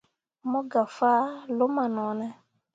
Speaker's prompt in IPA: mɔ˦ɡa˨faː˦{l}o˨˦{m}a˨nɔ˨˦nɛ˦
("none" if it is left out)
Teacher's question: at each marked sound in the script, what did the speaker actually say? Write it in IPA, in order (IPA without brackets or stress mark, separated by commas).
l, m